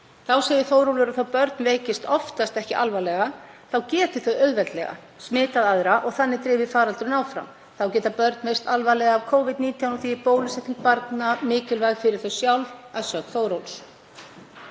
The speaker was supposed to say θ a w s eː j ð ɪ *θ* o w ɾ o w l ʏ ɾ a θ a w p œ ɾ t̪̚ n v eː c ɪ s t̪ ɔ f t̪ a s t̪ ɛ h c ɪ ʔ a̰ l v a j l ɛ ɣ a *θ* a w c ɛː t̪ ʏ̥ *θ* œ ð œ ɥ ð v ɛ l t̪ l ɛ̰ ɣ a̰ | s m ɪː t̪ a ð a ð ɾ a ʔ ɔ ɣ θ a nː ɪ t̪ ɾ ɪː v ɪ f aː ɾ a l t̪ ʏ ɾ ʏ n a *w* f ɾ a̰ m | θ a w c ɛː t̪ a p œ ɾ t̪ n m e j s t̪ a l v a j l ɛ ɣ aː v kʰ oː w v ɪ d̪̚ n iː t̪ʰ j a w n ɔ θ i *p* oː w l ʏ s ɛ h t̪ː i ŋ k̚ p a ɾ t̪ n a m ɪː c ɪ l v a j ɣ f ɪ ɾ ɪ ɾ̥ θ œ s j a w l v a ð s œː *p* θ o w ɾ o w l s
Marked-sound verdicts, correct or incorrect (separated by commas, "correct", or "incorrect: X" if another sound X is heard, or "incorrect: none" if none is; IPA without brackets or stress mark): correct, correct, correct, correct, correct, incorrect: k